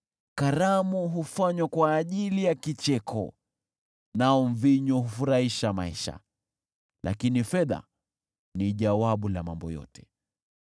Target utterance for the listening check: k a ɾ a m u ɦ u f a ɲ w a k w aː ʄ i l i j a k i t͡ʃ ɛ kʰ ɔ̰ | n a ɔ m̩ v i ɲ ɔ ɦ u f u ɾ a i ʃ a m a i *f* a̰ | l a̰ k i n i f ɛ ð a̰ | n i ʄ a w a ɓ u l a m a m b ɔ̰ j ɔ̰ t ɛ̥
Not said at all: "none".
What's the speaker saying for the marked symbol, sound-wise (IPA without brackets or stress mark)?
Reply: ʃ